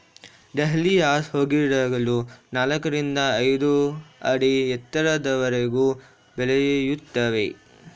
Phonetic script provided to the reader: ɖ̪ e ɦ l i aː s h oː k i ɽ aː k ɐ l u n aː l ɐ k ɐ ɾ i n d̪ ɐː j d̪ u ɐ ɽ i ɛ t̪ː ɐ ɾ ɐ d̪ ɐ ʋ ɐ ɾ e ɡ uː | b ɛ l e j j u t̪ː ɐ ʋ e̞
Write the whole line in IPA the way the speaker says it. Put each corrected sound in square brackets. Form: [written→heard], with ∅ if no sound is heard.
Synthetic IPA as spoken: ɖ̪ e ɦ l i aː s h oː [k→ɡ] i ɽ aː [k→ɡ] ɐ l u n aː l ɐ k ɐ ɾ i n d̪ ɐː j d̪ u ɐ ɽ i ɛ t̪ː ɐ ɾ ɐ d̪ ɐ ʋ ɐ ɾ e ɡ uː | b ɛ l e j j u t̪ː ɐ ʋ e̞